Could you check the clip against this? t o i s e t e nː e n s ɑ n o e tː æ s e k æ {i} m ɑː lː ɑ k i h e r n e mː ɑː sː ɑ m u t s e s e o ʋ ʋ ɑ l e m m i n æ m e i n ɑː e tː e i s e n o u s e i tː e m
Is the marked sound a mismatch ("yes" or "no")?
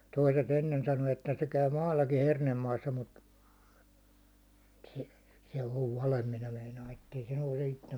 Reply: yes